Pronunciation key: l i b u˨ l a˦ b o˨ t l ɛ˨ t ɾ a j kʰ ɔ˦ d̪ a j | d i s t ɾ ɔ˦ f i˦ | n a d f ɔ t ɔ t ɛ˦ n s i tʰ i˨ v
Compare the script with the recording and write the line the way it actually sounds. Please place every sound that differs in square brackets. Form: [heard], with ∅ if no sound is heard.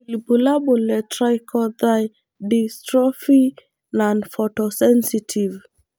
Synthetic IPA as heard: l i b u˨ l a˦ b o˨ [∅] l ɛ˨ t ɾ a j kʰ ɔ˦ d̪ a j | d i s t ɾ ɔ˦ f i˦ | n a [n] f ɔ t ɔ [s] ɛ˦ n s i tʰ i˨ v